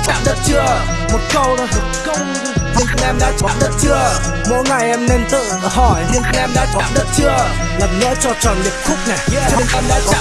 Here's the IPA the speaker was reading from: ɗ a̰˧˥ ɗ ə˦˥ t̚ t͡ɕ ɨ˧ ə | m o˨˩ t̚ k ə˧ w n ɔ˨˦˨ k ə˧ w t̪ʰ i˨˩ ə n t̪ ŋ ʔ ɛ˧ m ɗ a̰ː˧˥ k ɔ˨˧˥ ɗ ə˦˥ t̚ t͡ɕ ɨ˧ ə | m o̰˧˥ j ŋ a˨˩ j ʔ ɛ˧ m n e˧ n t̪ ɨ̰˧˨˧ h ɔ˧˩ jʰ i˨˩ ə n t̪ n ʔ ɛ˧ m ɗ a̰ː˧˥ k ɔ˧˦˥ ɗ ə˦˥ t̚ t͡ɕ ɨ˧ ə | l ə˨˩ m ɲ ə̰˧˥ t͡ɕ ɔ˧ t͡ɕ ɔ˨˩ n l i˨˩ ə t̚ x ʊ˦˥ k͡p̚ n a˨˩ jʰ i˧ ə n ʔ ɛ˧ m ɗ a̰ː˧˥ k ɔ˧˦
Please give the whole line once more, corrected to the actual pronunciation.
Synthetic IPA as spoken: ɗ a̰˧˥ ɗ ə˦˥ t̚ t͡ɕ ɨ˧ ə | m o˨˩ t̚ k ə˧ w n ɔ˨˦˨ k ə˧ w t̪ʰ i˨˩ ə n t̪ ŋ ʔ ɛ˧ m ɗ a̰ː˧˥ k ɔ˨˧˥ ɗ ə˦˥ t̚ t͡ɕ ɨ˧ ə | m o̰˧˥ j ŋ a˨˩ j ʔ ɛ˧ m n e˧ n t̪ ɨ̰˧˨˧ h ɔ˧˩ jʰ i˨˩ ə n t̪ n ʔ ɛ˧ m ɗ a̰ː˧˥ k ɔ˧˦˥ ɗ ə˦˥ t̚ t͡ɕ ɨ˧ ə | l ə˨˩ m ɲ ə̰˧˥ t͡ɕ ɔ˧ t͡ɕ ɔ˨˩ n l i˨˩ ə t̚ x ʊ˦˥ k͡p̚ n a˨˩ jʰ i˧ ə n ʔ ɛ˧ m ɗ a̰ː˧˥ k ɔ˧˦